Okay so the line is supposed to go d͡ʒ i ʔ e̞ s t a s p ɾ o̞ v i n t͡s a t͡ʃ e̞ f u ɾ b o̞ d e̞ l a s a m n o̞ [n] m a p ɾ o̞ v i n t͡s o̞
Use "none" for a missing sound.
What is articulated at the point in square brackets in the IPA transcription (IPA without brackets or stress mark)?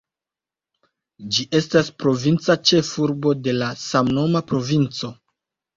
none